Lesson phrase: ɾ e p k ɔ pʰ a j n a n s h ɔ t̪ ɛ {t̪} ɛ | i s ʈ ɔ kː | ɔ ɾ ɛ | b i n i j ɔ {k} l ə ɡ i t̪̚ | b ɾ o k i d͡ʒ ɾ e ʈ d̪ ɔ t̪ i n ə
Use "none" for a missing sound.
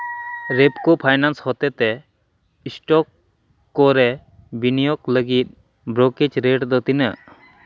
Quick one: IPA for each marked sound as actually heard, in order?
t̪, k

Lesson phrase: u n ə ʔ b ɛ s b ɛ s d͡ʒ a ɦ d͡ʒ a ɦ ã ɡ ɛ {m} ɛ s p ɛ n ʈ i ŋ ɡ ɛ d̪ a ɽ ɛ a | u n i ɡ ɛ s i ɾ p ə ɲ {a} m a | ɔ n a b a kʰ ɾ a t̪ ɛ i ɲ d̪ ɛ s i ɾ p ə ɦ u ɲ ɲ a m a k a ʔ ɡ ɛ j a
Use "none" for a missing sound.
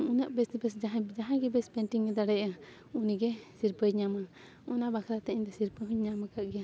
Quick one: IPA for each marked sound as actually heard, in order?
b, a

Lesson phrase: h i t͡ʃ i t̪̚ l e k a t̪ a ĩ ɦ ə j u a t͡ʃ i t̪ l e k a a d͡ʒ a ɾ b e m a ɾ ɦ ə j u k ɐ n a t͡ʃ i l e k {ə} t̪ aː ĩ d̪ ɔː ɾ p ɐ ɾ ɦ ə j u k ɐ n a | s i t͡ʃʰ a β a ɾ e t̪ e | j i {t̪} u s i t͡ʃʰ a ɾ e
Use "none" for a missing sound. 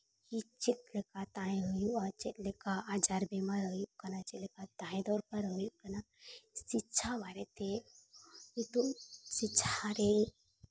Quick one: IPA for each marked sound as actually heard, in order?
a, t̪

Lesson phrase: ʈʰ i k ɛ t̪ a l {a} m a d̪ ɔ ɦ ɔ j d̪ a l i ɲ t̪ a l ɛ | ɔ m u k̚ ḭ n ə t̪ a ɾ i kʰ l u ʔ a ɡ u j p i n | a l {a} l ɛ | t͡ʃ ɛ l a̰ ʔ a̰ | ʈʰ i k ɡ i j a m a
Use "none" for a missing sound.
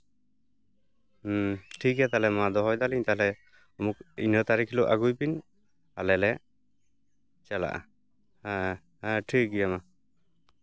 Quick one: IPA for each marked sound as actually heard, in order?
ɛ, ɛ

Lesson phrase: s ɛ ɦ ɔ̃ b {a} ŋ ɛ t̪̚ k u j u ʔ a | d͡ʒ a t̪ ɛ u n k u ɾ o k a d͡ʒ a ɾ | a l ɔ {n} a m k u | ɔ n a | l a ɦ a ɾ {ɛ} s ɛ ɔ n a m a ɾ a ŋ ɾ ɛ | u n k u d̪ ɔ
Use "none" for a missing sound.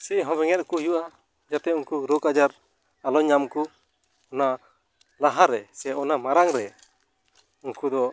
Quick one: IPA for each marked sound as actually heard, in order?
ɛ, ɲ, ɛ

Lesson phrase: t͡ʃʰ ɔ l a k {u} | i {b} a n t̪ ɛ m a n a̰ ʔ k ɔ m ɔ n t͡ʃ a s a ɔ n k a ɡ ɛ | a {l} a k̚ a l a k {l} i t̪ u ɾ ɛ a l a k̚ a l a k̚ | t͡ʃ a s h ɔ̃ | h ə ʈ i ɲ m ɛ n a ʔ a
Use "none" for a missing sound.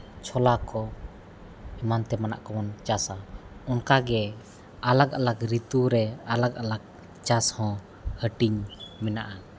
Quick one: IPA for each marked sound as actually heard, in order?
ɔ, m, l, ɾ

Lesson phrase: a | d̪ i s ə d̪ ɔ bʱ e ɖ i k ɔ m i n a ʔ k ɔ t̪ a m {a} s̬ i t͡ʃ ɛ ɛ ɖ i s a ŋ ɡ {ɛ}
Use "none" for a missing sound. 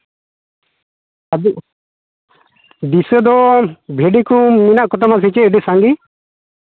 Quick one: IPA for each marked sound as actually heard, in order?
a, i

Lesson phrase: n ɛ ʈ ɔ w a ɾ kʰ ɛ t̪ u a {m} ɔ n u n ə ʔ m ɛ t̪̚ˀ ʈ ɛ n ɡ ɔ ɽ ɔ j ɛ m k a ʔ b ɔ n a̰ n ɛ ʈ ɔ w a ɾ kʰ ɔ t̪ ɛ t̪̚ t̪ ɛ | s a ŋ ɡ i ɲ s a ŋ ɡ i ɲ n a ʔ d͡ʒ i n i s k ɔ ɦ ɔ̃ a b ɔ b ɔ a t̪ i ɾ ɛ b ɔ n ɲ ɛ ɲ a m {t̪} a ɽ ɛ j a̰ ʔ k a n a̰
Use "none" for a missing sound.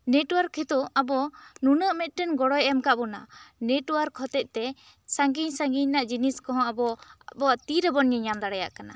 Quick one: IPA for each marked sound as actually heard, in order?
b, d̪

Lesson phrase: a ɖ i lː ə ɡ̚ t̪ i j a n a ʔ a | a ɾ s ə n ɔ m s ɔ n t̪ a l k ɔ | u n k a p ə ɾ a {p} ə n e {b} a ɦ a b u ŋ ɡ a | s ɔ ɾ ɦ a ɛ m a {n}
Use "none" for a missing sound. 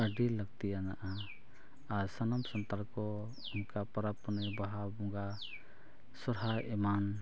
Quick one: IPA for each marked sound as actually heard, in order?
p, b, n

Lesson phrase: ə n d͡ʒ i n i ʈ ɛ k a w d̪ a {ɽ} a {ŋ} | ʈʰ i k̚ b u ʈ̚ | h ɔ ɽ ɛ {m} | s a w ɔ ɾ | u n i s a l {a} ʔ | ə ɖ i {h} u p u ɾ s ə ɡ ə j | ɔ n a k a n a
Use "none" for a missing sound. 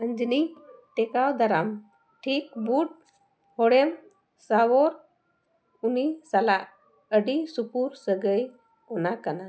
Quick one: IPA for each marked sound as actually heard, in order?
ɾ, m, m, a, s

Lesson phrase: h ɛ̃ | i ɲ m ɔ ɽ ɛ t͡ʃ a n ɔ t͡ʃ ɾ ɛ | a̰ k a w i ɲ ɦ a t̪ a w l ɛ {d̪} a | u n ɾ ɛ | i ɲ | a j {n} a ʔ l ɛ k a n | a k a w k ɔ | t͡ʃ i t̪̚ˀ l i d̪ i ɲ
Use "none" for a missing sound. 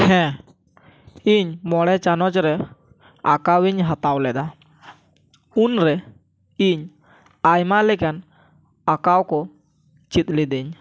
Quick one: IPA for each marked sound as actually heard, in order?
d̪, m

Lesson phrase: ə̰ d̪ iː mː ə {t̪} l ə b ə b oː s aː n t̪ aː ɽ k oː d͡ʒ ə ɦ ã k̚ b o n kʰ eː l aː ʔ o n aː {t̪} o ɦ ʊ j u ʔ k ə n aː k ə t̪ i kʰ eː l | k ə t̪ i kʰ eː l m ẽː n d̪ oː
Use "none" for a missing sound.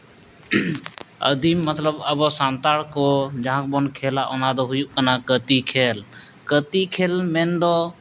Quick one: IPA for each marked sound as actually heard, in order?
t̪, d̪

